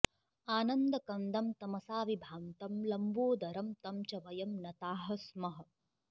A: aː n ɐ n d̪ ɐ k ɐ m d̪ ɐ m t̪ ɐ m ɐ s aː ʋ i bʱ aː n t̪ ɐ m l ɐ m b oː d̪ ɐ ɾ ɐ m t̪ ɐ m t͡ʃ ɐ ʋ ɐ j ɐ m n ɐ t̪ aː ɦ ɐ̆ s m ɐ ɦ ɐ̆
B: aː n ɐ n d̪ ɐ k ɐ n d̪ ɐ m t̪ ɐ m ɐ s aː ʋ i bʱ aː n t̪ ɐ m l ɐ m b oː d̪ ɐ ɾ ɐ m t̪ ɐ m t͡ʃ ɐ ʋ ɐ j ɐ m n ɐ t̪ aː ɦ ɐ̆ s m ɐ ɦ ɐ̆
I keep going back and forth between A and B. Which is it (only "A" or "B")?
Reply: B